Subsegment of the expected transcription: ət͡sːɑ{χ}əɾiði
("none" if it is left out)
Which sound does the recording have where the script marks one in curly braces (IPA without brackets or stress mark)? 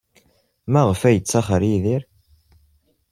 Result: χ